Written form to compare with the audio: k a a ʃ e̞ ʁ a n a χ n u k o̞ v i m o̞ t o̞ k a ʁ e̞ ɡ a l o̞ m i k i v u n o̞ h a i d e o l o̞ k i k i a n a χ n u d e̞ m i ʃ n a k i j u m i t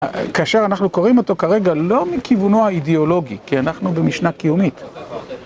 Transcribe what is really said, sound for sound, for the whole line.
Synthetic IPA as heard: k a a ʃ e̞ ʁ a n a χ n u k o̞ ʁ i m o̞ t o̞ k a ʁ e̞ ɡ a l o̞ m i k i v u n o̞ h a i d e o l o̞ ɡ i k i a n a χ n u b e̞ m i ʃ n a k i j u m i t